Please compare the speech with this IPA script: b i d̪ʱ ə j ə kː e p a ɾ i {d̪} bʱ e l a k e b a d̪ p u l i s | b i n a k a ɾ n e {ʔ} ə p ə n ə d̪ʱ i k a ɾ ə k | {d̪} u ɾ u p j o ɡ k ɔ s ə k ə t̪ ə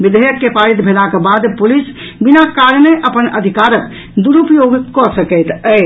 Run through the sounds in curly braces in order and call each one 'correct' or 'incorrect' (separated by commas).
incorrect, correct, correct